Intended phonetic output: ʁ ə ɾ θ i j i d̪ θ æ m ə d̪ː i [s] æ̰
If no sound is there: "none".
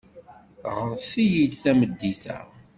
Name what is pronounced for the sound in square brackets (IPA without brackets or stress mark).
θ